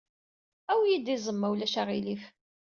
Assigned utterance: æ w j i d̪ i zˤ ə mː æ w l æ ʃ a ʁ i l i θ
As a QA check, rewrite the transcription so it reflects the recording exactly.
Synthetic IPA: æ w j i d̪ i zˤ ə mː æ w l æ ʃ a ʁ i l i f